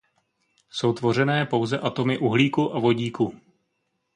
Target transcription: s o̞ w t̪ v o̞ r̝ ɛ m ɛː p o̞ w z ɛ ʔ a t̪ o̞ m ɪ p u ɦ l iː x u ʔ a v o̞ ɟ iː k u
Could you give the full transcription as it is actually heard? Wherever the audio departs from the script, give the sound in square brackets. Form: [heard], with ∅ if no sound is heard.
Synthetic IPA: s o̞ w t̪ v o̞ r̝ ɛ [n] ɛː p o̞ w z ɛ ʔ a t̪ o̞ m ɪ [ʔ] u ɦ l iː [k] u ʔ a v o̞ ɟ iː k u